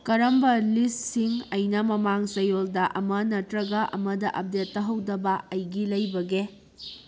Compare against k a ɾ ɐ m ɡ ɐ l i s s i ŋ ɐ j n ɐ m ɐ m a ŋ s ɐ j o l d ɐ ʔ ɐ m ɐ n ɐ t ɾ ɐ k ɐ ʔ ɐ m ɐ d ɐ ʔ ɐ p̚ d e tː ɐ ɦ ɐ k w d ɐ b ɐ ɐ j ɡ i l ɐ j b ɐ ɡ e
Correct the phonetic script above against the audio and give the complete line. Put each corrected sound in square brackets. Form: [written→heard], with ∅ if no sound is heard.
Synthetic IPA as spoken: k [a→ɐ] ɾ ɐ m [ɡ→b] ɐ l i s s i ŋ ɐ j n ɐ m ɐ m a ŋ s ɐ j o l d ɐ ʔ ɐ m ɐ n ɐ t ɾ ɐ [k→ɡ] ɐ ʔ ɐ m ɐ d ɐ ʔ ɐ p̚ d e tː ɐ ɦ ɐ [k→∅] w d ɐ b ɐ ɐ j ɡ i l ɐ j b ɐ ɡ e